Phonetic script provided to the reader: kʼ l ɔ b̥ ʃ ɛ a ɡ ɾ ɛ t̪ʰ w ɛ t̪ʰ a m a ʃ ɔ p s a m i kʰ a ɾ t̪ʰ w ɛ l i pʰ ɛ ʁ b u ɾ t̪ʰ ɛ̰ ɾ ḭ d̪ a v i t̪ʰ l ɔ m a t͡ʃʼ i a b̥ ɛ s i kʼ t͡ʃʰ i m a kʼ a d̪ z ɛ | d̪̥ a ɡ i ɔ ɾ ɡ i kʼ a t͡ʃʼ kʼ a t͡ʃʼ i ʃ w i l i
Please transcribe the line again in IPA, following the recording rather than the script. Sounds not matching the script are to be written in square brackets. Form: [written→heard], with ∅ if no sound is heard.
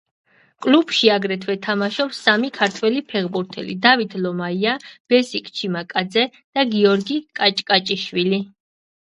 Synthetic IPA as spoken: kʼ l [ɔ→u] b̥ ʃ [ɛ→i] a ɡ ɾ ɛ t̪ʰ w ɛ t̪ʰ a m a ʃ ɔ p s a m i kʰ a ɾ t̪ʰ w ɛ l i pʰ ɛ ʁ b u ɾ t̪ʰ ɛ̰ [ɾ→l] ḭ d̪ a v i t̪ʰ l ɔ m a [t͡ʃʼ→∅] i a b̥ ɛ s i kʼ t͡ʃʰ i m a kʼ a d̪ z ɛ | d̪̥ a ɡ i ɔ ɾ ɡ i kʼ a t͡ʃʼ kʼ a t͡ʃʼ i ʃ w i l i